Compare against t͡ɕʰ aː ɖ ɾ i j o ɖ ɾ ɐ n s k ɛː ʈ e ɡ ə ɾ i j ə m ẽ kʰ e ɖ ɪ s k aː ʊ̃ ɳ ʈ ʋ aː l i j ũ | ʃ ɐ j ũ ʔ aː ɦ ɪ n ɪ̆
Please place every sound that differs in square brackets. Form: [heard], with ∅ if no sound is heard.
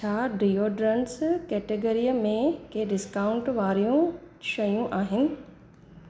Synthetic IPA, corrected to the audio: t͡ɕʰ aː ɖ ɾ i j o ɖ ɾ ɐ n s k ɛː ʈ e ɡ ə ɾ i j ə m ẽ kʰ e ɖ ɪ s k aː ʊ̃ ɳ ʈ ʋ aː [ɾ] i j ũ | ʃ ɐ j ũ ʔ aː ɦ ɪ n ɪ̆